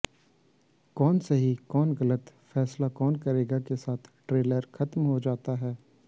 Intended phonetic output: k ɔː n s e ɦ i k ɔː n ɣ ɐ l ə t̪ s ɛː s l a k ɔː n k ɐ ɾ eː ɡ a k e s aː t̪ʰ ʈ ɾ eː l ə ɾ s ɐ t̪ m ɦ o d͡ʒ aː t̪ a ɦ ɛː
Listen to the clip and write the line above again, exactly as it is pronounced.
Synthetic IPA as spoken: k ɔː n s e ɦ i k ɔː n ɣ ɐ l ə t̪ f ɛː s l a k ɔː n k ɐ ɾ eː ɡ a k e s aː t̪ʰ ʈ ɾ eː l ə ɾ x ɐ t̪ m ɦ o d͡ʒ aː t̪ a ɦ ɛː